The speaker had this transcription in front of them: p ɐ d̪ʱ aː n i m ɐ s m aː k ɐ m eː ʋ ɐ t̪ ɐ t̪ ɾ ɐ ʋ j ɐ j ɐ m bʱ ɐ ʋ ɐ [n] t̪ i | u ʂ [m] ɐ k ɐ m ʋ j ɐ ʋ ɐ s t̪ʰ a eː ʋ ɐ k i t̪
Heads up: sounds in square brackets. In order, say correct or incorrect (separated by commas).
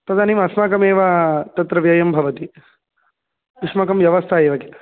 incorrect, correct